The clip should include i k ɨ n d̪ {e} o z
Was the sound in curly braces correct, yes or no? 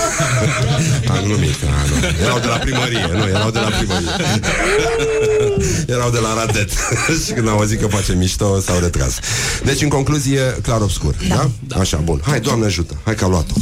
no